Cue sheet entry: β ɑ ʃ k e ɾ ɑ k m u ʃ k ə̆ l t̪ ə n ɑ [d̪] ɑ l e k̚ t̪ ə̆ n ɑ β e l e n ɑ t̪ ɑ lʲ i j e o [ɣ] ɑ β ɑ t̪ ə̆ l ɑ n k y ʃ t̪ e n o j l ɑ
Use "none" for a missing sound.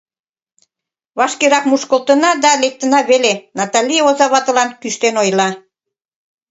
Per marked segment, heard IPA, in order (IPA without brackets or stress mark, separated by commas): d̪, z